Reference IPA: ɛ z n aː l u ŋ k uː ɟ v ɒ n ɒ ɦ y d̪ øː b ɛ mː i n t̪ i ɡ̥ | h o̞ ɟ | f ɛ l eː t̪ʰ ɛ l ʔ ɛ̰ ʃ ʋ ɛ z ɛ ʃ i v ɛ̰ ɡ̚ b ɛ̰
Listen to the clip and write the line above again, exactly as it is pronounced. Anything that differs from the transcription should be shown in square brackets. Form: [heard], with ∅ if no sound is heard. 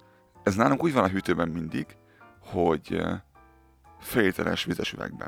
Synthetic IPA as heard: ɛ z n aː l u ŋ k uː ɟ v ɒ n ɒ ɦ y [t̪] øː b ɛ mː i n [d̪] i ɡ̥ | h o̞ ɟ | f ɛ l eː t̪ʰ ɛ l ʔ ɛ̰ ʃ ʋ [i] z ɛ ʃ [y] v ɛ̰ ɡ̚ b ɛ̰